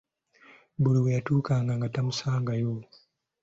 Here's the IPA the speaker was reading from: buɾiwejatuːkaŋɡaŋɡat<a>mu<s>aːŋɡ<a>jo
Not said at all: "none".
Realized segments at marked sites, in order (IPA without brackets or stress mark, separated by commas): a, s, a